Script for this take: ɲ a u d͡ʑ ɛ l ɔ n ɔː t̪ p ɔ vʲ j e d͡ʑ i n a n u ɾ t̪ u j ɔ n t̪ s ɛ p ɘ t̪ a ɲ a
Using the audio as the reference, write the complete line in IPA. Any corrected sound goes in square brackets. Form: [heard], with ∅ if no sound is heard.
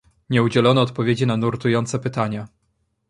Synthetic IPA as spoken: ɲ [ɛ] u d͡ʑ ɛ l ɔ n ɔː t̪ p ɔ vʲ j e d͡ʑ i n a n u ɾ t̪ u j ɔ n t̪ s ɛ p ɘ t̪ a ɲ a